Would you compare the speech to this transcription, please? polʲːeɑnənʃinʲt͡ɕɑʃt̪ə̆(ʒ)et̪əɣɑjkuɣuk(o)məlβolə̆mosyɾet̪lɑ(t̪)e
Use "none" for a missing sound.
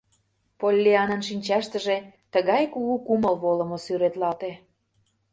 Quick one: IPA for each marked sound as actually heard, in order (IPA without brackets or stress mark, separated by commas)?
ʒ, u, t̪